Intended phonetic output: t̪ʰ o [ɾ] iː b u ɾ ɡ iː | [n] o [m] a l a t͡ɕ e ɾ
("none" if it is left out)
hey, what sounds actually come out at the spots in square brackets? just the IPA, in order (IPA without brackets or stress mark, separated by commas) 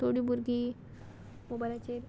ɽ, m, b